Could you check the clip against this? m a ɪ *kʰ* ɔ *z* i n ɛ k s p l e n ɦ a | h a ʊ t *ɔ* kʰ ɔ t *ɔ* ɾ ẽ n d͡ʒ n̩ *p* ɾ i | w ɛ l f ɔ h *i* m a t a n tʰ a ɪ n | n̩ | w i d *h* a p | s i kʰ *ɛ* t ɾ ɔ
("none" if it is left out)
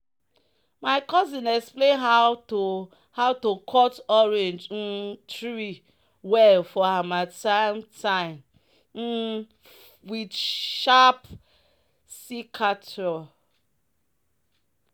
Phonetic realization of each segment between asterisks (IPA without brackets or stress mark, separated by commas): k, z, o, ɔ, t, a, ʃ, a